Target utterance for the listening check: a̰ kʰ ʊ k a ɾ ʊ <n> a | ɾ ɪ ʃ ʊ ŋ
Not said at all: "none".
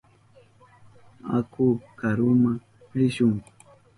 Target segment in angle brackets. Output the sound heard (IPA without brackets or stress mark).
m